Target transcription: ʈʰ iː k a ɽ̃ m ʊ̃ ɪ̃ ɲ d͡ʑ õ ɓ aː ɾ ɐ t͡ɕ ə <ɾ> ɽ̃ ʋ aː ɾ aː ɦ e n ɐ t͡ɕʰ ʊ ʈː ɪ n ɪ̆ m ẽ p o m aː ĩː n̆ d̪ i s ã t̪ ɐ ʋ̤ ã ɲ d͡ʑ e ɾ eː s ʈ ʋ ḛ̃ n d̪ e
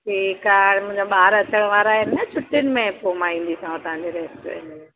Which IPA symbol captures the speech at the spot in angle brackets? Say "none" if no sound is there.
none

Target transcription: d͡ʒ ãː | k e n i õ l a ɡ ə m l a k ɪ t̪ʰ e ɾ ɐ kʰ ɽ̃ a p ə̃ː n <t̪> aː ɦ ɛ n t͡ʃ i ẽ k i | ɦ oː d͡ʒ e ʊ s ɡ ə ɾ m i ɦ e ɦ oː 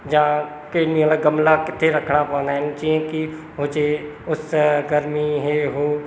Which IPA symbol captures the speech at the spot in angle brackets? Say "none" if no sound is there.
d̪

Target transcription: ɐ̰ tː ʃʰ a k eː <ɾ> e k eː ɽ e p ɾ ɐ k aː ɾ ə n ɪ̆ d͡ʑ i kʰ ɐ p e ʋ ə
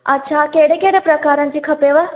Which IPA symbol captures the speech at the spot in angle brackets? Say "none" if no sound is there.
ɽ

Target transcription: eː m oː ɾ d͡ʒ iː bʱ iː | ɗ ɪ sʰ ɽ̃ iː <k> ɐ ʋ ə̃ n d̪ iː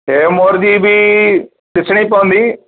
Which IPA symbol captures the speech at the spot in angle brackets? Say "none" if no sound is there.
p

